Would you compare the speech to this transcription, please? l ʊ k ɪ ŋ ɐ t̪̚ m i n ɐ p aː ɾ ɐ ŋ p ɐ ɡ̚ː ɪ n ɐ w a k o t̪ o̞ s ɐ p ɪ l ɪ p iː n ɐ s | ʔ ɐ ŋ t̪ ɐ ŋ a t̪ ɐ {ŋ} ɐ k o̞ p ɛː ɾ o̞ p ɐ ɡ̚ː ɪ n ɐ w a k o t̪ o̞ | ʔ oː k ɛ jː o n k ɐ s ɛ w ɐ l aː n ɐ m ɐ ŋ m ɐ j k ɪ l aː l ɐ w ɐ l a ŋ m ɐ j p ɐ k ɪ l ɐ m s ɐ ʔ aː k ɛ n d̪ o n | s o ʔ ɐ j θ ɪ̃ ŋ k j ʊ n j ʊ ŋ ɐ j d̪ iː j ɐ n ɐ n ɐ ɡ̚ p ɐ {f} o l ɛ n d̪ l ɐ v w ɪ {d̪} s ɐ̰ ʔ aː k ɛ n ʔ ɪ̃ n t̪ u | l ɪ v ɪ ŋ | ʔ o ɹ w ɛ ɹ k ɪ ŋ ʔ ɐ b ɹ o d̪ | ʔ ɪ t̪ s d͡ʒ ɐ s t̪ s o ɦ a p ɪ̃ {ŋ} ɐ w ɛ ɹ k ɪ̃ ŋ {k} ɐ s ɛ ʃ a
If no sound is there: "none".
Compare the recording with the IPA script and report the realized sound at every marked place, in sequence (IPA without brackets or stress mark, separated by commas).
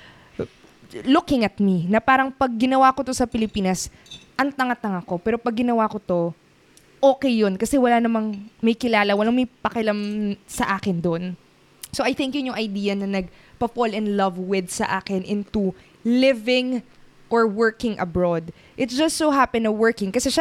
ŋ, f, d̪, n, k